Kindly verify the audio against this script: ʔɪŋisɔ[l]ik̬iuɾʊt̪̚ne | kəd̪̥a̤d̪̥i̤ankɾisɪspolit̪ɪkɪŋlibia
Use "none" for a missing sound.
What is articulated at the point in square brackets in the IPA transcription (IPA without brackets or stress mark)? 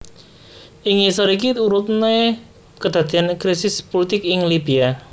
ɾ